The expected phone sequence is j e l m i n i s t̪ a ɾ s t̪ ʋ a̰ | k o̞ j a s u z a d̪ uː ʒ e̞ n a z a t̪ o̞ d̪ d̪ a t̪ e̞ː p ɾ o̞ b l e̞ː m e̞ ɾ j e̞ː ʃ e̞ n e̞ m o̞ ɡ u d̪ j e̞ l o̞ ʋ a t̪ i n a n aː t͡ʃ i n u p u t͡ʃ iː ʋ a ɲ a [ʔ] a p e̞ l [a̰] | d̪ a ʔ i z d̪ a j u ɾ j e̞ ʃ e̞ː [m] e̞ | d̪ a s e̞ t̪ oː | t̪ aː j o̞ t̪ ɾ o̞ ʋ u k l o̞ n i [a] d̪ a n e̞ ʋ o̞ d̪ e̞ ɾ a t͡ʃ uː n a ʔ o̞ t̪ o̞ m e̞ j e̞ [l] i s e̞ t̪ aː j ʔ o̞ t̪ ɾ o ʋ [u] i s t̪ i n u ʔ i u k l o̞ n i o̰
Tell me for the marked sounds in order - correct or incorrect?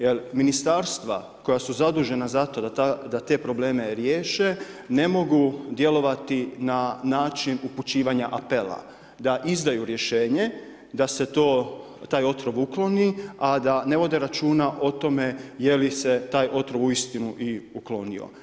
correct, correct, incorrect: ɲ, correct, correct, correct

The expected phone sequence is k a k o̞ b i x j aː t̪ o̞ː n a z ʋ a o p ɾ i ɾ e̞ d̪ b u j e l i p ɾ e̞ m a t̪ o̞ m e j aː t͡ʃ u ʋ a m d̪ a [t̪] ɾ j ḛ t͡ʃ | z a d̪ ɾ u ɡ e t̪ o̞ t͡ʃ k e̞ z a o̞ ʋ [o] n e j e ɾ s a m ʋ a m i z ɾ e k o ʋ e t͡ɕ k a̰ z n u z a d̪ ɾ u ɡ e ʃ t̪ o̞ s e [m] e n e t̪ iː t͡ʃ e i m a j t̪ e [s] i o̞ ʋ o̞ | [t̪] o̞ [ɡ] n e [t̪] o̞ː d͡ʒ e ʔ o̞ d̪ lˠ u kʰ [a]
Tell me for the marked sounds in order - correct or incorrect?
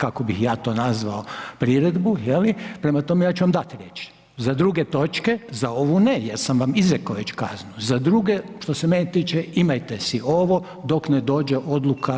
correct, incorrect: u, correct, correct, incorrect: d̪, incorrect: k, incorrect: d̪, correct

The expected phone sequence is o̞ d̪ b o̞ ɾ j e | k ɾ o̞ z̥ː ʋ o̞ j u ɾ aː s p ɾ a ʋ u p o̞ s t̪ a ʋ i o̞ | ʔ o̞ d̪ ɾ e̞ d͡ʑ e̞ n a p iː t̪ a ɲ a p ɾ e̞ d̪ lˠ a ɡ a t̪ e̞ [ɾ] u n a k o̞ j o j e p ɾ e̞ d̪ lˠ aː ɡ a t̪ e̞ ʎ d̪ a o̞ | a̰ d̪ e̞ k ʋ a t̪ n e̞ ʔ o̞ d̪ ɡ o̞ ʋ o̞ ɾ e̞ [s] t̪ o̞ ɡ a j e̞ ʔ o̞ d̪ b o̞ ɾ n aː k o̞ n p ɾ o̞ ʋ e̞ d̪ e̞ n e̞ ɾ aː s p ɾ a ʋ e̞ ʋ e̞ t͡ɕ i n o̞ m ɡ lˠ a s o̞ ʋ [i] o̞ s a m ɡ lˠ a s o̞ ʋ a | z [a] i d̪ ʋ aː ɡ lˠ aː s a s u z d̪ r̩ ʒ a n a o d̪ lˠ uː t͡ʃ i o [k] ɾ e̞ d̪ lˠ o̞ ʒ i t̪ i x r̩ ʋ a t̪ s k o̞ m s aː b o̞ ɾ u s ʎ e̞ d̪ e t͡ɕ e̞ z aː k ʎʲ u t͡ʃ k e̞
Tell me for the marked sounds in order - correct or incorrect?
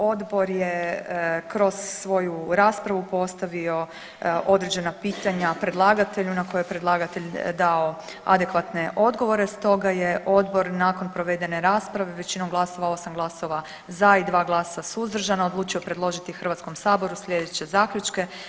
incorrect: ʎ, correct, incorrect: a, correct, incorrect: p

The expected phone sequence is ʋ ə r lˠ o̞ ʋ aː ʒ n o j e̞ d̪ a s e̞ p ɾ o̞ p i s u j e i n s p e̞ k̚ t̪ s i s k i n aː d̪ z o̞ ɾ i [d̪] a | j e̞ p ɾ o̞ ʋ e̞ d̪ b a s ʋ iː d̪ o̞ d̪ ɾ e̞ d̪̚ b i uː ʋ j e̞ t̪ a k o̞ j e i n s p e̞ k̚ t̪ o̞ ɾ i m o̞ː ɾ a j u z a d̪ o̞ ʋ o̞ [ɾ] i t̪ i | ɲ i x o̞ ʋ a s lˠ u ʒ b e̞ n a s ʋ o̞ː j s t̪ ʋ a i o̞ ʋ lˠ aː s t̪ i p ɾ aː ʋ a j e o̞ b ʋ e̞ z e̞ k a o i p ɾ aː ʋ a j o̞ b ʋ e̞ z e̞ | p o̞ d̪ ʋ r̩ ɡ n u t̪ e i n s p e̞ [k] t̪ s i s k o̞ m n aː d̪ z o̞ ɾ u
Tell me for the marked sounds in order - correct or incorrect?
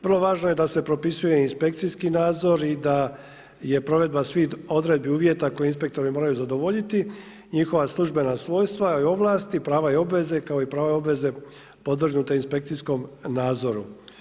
correct, incorrect: ʎ, correct

